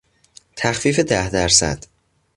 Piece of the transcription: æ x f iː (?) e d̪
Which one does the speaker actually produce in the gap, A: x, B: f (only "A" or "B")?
B